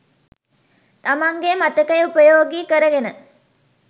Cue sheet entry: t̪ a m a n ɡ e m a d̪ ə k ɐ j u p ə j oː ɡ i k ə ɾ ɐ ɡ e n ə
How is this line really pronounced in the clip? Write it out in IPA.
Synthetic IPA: t̪ a m a ŋ ɡ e m a t̪ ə k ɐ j u p ə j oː ɡ i k ə ɾ ə ɡ e n ə